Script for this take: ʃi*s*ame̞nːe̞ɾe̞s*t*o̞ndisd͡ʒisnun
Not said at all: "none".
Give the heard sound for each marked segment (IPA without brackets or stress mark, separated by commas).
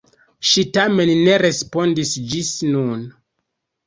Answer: t, p